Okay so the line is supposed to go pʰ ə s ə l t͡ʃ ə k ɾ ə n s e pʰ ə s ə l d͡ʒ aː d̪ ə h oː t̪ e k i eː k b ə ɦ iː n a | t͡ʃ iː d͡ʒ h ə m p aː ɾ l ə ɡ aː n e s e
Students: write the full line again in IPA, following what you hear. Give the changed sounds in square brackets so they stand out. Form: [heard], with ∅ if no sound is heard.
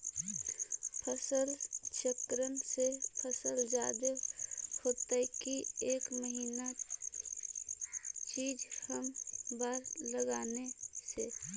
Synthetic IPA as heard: pʰ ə s ə l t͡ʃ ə k ɾ ə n s e pʰ ə s ə l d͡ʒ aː d̪ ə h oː t̪ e k i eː k [m] ə ɦ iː n a | t͡ʃ iː d͡ʒ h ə m [b] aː ɾ l ə ɡ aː n e s e